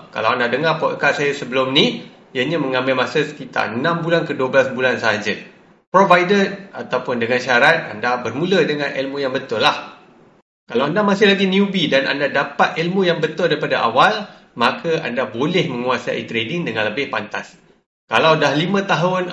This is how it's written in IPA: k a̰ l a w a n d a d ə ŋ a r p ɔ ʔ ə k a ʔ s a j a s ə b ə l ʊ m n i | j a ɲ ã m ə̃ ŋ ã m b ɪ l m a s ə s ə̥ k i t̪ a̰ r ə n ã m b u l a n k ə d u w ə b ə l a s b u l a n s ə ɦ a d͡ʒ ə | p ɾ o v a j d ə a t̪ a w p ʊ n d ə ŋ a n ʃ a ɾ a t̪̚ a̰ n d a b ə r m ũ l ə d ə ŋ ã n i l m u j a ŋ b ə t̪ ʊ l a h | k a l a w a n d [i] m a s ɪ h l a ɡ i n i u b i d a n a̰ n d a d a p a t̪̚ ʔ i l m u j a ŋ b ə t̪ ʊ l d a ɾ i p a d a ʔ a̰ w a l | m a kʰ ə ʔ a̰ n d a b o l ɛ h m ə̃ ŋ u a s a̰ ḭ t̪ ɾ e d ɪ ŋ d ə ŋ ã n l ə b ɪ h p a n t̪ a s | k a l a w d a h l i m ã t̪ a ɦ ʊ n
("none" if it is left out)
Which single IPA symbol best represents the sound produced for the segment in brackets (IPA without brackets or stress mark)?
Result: a